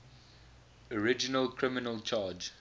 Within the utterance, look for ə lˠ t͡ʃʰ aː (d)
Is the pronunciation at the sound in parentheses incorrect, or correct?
incorrect